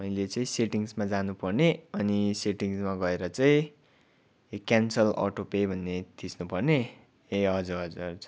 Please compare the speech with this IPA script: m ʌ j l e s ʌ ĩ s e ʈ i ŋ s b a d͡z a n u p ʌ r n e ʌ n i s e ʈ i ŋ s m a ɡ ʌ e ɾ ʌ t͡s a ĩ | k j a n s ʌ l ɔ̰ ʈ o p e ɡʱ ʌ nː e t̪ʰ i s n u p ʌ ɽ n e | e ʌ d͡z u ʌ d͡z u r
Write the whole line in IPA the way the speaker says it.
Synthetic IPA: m ʌ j l e t͡s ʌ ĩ s e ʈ i ŋ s m a d͡z a n u p ʌ r n e ʌ n i s e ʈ i ŋ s m a ɡ ʌ e ɾ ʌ t͡s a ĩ | k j a n s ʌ l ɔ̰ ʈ o p e bʱ ʌ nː e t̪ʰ i s n u p ʌ r n e | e ʌ d͡z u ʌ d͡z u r